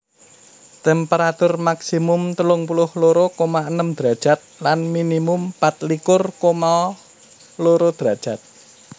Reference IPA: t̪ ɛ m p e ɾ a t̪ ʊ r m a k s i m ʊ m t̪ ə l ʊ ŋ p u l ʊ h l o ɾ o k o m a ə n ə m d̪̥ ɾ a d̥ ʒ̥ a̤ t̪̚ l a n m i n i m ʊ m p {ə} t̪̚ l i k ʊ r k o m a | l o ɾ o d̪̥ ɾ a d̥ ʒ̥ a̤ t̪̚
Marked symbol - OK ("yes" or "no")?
no